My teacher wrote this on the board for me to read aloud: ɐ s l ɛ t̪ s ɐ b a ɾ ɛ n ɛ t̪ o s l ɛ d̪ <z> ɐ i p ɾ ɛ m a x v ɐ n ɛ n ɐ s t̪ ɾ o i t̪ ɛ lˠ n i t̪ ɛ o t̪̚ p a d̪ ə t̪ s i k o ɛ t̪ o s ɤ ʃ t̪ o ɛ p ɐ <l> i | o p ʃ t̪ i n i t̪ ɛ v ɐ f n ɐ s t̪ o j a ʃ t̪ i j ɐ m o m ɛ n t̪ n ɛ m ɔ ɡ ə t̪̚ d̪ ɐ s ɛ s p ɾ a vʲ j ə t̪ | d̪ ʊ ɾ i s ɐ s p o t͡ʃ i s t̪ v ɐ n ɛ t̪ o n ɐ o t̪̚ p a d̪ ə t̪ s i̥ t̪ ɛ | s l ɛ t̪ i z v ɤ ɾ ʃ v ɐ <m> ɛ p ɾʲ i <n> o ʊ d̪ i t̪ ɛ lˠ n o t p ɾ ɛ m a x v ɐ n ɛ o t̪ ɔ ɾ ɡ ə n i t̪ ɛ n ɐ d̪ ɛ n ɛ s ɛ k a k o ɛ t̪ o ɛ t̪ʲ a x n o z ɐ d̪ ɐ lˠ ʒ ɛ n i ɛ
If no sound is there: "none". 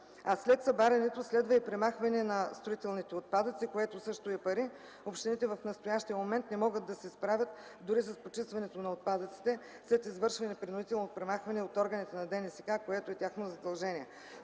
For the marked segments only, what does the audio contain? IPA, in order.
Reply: v, ɾ, n, n

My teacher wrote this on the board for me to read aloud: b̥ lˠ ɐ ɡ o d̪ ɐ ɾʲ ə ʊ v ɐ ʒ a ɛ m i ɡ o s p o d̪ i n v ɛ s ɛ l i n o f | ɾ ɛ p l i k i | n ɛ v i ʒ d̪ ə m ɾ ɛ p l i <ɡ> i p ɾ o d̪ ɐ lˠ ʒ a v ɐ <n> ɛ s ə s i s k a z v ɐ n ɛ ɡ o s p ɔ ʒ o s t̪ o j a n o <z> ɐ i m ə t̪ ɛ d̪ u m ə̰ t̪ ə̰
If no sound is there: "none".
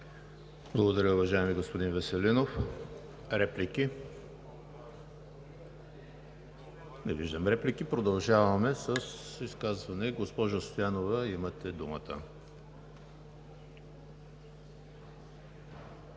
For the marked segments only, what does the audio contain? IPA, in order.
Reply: k, m, v

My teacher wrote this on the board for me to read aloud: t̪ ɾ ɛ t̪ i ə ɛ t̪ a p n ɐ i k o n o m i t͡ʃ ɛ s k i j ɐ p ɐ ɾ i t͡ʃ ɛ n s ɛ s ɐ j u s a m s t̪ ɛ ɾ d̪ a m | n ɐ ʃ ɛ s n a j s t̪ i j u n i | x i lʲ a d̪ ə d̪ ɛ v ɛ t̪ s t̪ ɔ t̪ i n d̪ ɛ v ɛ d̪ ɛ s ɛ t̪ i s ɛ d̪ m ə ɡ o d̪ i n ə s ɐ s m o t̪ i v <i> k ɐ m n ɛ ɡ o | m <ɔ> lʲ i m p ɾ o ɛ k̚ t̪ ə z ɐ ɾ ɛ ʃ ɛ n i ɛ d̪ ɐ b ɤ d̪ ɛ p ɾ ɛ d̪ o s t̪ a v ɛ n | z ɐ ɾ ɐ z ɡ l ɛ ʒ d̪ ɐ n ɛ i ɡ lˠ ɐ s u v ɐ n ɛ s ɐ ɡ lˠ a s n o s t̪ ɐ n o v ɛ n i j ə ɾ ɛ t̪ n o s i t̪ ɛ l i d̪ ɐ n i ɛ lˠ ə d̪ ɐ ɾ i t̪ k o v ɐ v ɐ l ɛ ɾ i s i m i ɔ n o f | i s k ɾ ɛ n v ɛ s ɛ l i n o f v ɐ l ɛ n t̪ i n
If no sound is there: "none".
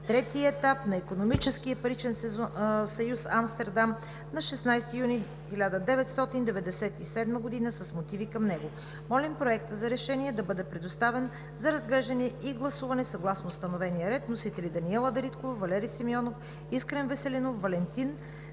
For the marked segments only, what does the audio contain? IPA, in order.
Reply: i, ɔ

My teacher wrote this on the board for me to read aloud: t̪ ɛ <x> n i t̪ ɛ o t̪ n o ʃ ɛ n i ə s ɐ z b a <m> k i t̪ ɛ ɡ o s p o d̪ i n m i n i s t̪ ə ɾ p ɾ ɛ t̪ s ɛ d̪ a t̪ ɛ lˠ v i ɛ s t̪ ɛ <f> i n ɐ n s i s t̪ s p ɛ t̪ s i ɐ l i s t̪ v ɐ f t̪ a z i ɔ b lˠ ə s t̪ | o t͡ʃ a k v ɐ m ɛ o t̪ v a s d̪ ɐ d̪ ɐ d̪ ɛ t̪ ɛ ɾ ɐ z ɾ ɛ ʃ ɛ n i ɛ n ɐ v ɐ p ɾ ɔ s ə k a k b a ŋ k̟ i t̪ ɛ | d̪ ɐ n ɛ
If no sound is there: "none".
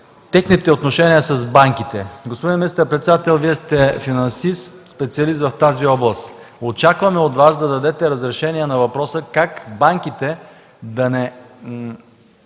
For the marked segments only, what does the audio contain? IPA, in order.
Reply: x, ŋ, f

